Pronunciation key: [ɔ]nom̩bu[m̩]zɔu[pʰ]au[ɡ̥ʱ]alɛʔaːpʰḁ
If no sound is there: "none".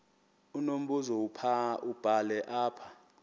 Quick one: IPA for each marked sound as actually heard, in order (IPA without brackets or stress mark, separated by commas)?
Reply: u, none, pʰ, b̥ʱ